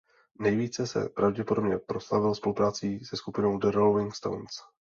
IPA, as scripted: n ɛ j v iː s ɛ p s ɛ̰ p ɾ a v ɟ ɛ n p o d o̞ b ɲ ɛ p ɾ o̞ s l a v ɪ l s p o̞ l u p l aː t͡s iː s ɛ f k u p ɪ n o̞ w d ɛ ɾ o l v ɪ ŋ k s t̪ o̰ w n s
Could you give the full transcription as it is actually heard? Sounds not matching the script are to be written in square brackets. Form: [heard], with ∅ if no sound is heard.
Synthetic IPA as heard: n ɛ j v iː [t͡s] ɛ [∅] s ɛ̰ p ɾ a v ɟ ɛ [∅] p o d o̞ b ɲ ɛ p ɾ o̞ s l a v ɪ l s p o̞ l u p [ɾ] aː t͡s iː s ɛ [s] k u p ɪ n o̞ w d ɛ ɾ o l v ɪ ŋ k s t̪ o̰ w n s